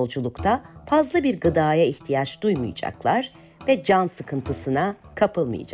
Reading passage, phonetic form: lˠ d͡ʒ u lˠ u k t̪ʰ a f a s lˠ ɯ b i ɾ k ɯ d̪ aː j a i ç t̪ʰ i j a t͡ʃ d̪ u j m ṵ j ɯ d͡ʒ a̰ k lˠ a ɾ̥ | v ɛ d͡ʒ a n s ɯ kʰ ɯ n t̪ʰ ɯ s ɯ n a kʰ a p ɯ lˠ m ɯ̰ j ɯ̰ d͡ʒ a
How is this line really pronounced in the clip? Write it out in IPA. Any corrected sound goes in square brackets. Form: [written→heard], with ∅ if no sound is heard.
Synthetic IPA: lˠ d͡ʒ u lˠ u k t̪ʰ a f a [s→z] lˠ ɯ b i ɾ [k→ɡ] ɯ d̪ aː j a i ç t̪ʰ i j a t͡ʃ d̪ u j m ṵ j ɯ d͡ʒ a̰ k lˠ a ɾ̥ | v ɛ d͡ʒ a n s ɯ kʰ ɯ n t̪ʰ ɯ s ɯ n a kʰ a p ɯ lˠ m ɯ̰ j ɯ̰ d͡ʒ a